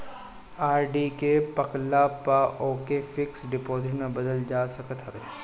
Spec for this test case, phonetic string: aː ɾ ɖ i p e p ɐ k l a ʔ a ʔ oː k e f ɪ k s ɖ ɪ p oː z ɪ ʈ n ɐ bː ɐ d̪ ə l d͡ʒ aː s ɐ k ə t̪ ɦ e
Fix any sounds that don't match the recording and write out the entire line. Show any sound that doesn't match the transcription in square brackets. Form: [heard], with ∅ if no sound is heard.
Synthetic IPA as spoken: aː ɾ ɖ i [k] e p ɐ k l a [p] a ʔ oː k e f ɪ k s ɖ ɪ p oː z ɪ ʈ n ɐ [b] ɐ d̪ ə l d͡ʒ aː s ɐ k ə t̪ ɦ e

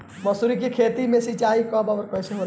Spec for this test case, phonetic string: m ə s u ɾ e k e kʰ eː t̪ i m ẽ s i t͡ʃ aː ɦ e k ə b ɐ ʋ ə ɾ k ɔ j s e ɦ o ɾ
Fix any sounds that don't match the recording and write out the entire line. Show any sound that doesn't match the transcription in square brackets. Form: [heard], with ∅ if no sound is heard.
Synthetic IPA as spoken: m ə s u ɾ [i] k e kʰ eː t̪ i m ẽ s i t͡ʃ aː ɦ [i] k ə b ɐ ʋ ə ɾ k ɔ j s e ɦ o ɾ

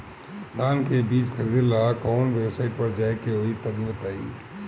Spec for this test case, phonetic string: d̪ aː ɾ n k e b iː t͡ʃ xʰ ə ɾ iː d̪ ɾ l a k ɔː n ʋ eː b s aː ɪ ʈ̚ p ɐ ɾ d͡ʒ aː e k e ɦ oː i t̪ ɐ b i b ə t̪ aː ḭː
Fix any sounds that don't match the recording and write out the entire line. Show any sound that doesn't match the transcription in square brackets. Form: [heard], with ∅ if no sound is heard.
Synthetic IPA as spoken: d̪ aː [∅] n k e b iː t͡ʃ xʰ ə ɾ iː d̪ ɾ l a k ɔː n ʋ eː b s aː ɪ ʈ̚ p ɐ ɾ d͡ʒ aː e k e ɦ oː i t̪ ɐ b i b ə t̪ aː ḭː

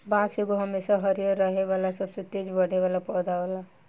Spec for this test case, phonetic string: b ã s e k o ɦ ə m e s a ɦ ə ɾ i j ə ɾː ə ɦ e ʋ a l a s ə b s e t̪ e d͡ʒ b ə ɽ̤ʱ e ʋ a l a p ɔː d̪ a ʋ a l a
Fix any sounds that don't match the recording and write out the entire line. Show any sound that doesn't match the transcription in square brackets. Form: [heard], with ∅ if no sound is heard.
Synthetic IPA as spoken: b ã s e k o ɦ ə m e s a ɦ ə ɾ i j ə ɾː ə ɦ e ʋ a l a s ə b s e t̪ e d͡ʒ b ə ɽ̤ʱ e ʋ a l a p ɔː d̪ a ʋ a l a

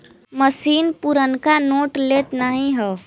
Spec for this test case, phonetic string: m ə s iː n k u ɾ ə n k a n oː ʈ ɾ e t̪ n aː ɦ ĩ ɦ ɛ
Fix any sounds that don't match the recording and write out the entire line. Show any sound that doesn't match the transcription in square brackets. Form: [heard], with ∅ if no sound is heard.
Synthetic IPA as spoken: m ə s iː n [p] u ɾ ə n k a n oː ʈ [l] e t̪ n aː ɦ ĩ ɦ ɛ

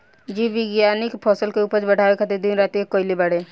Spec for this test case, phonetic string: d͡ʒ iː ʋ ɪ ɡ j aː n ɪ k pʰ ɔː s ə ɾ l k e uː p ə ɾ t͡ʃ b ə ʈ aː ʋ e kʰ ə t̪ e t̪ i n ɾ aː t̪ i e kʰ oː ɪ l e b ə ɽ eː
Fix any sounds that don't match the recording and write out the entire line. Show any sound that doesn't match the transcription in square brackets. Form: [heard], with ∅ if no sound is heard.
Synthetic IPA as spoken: d͡ʒ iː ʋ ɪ ɡ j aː n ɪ k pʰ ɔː s ə [∅] l k e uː p ə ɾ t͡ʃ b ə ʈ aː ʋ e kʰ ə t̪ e [d̪] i n ɾ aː t̪ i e [k] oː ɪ l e b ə ɽ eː

